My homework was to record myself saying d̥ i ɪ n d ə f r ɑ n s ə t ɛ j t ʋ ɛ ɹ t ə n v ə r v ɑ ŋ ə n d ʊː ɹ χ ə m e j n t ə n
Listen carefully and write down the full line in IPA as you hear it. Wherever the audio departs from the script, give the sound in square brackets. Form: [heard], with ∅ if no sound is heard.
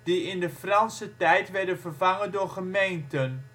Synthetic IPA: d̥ i ɪ n d ə f r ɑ n s ə t ɛ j t ʋ ɛ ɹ [d] ə n v ə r v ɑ ŋ ə n d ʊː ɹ χ ə m e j n t ə n